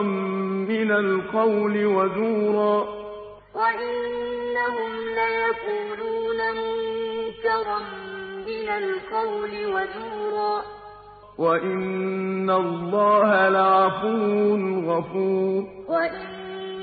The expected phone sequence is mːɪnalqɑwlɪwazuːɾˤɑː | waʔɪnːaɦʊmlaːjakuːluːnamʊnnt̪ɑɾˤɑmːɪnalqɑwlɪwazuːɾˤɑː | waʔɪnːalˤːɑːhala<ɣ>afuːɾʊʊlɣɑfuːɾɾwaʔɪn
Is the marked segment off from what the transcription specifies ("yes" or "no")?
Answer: yes